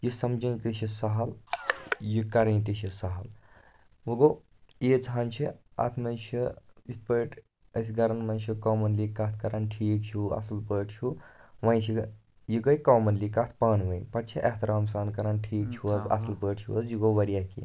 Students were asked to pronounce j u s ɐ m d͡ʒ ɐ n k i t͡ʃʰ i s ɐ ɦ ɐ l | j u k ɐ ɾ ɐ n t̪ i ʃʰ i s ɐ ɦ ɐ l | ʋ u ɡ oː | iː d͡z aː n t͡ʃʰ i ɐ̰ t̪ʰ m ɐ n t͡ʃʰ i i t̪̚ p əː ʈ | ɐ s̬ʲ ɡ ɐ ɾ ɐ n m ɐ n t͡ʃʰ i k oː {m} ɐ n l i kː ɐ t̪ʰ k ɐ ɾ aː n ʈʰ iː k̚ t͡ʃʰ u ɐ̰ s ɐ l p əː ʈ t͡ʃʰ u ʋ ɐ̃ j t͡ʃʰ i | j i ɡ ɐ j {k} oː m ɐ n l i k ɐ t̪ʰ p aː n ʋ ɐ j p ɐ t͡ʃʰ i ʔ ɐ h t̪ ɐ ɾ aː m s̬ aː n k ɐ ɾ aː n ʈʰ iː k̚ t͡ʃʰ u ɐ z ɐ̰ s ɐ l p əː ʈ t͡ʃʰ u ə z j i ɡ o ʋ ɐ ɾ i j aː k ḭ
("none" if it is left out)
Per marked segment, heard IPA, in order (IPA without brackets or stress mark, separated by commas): m, k